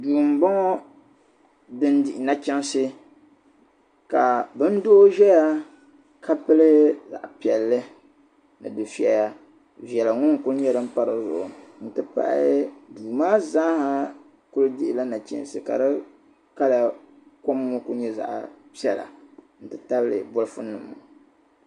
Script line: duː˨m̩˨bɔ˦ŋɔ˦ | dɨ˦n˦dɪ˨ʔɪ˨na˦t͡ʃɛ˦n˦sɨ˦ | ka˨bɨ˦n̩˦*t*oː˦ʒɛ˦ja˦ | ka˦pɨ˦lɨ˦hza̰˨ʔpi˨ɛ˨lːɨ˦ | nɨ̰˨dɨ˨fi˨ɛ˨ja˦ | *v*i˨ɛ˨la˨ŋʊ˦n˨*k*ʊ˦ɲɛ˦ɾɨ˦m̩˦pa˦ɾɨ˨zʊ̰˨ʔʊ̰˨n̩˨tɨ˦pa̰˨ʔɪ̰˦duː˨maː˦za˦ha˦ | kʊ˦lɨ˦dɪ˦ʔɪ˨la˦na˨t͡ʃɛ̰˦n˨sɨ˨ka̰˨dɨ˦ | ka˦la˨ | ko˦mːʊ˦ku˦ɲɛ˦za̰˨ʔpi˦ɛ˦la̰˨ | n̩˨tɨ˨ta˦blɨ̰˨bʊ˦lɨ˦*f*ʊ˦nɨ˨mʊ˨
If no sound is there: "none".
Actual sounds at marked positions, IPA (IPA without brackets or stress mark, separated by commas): d, v, k, f